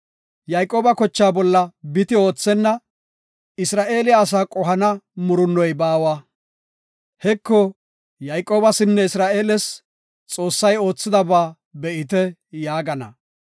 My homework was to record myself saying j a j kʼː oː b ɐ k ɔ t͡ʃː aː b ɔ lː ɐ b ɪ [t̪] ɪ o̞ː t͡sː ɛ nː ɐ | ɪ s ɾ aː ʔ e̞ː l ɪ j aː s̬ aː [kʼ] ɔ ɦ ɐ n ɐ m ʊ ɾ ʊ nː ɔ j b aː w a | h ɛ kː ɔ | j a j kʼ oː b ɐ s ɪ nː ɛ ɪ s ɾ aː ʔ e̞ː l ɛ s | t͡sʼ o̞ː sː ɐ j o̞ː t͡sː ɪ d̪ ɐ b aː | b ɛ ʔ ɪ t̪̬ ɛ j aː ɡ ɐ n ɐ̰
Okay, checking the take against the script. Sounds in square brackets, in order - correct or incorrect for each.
correct, correct

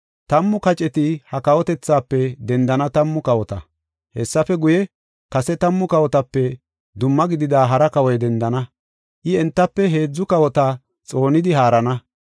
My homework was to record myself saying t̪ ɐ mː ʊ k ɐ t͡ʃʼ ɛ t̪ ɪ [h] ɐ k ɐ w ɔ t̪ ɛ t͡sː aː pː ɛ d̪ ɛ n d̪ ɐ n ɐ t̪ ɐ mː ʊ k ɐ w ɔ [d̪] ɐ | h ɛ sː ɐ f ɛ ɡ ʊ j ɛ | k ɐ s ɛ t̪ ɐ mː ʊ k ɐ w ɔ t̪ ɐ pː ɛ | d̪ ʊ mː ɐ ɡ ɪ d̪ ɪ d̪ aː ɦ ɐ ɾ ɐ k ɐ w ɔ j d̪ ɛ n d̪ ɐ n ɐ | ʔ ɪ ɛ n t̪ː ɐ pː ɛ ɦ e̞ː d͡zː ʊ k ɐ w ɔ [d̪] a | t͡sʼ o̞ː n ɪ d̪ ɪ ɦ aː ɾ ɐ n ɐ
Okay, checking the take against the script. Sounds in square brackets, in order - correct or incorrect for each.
correct, incorrect, incorrect

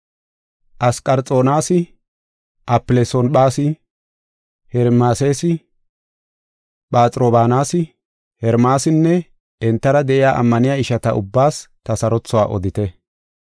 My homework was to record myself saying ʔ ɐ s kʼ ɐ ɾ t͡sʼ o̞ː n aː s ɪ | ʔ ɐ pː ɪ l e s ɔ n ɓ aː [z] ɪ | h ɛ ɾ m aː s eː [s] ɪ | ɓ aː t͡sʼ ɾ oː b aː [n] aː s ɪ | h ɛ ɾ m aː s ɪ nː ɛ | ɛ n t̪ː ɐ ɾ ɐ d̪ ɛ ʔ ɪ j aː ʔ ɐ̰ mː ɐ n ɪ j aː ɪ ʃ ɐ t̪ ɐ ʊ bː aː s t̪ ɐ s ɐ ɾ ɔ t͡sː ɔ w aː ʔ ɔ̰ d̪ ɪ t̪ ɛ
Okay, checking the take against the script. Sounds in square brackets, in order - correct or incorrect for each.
incorrect, correct, correct

